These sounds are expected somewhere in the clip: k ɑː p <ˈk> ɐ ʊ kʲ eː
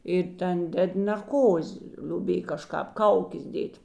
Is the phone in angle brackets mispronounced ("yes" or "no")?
no